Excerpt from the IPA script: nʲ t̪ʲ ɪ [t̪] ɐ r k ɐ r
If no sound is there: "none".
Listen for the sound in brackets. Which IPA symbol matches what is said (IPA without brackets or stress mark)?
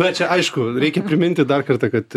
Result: d̪